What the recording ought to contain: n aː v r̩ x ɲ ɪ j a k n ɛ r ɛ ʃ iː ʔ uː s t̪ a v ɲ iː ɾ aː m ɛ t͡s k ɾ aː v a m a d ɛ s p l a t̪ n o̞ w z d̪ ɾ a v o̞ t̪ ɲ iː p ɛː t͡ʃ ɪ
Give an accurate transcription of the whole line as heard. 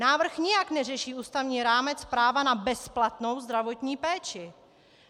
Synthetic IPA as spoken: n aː v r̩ x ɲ ɪ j a k n ɛ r ɛ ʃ iː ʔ uː s t̪ a v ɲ iː ɾ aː m ɛ t͡s p ɾ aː v a n a b ɛ s p l a t̪ n o̞ w z d̪ ɾ a v o̞ t̪ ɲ iː p ɛː t͡ʃ ɪ